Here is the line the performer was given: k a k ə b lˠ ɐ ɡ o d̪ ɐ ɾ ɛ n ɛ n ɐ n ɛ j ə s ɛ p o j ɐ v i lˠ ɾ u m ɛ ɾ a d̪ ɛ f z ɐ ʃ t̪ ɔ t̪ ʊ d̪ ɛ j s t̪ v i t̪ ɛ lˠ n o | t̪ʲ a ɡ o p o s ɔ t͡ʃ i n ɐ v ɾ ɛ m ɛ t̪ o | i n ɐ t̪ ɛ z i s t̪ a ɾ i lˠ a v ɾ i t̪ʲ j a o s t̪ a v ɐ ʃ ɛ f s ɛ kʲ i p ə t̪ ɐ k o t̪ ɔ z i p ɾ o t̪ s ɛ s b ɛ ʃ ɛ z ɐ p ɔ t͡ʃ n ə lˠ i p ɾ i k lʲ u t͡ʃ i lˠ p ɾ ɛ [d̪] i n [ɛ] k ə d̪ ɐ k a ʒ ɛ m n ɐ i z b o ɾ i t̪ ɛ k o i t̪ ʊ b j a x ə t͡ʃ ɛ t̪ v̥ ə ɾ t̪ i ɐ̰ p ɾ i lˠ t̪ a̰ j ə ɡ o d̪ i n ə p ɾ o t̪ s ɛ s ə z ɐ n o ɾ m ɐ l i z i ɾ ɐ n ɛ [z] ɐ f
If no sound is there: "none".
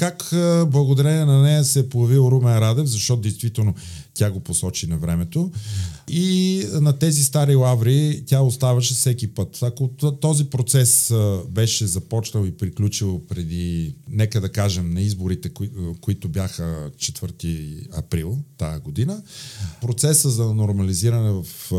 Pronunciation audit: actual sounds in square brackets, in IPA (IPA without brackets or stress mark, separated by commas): d̪, ɛ, v